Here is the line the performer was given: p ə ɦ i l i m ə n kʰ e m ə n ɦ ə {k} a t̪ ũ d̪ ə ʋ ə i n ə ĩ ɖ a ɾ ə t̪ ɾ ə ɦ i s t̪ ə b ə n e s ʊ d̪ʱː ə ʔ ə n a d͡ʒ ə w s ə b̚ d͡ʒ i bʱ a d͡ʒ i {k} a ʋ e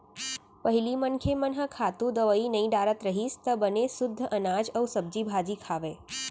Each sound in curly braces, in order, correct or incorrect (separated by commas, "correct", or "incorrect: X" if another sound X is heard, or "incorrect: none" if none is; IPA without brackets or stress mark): incorrect: kʰ, incorrect: kʰ